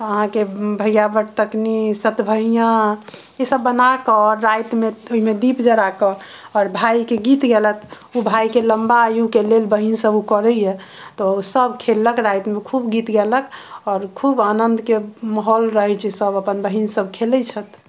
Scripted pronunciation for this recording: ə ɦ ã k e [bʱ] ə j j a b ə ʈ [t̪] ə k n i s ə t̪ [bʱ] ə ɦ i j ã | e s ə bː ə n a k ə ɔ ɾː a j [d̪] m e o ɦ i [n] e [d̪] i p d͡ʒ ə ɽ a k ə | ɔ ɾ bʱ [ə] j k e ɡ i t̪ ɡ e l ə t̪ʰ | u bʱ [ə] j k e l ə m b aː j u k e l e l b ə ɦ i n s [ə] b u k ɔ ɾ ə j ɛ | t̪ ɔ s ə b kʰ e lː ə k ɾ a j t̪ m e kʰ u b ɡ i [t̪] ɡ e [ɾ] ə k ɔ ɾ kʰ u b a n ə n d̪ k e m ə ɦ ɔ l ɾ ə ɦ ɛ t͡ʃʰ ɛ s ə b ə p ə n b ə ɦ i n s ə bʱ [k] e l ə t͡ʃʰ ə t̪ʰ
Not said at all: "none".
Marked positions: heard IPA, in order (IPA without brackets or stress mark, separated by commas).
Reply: bʱ, t̪, bʱ, t̪, m, d̪, a, a, ə, t̪, l, kʰ